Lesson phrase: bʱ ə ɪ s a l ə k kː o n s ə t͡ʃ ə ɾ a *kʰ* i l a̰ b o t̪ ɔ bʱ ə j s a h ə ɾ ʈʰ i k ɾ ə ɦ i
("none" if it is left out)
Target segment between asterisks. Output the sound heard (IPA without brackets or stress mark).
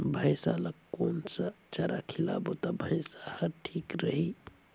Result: kʰ